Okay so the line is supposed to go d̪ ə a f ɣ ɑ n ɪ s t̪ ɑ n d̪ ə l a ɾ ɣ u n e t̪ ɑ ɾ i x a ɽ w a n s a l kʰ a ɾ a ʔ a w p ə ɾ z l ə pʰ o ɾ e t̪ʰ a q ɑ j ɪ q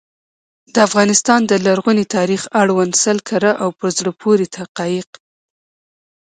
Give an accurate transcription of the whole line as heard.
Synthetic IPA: d̪ ə a f ɣ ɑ n ɪ s t̪ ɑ n d̪ ə l a ɾ ɣ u n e t̪ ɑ ɾ i x a ɽ w a n s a l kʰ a ɾ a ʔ a w p ə ɾ z ɽ ə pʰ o ɾ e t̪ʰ a q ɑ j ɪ q